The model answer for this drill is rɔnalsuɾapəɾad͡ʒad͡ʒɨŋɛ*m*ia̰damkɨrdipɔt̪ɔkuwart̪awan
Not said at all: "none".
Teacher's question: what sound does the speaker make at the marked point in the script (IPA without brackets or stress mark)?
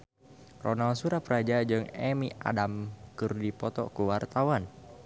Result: m